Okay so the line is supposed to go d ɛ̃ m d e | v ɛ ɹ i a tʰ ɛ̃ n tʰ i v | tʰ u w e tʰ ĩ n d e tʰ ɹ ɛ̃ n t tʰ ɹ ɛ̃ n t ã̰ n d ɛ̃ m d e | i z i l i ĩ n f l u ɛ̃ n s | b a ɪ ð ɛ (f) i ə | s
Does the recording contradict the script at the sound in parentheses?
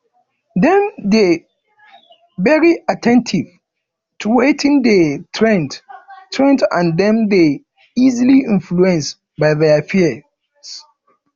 no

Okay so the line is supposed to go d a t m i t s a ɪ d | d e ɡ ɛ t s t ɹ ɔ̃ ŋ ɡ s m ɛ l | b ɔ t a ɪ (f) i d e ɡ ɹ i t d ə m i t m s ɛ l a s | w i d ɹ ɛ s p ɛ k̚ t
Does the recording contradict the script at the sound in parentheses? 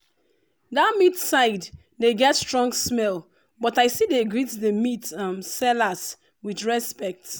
yes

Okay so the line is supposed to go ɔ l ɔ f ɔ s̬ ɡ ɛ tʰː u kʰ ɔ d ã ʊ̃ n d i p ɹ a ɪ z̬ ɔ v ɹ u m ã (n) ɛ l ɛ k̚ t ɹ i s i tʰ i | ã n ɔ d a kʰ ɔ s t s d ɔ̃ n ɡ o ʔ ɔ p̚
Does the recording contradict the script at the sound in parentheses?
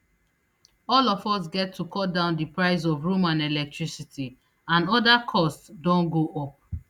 no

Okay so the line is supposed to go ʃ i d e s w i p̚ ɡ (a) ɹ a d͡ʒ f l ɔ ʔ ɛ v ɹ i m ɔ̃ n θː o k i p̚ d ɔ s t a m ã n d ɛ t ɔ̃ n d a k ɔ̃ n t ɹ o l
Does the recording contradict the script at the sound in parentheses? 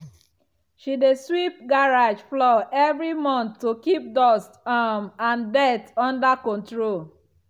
no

